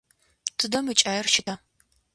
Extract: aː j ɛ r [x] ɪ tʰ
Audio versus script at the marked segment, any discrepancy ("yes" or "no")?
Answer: yes